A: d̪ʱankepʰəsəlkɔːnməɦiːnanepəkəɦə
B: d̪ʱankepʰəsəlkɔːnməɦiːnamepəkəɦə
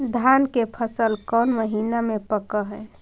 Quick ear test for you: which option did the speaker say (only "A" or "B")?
B